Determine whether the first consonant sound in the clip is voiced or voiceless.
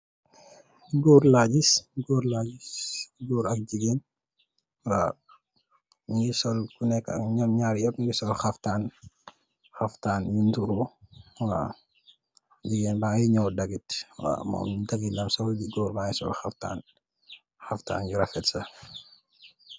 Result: voiced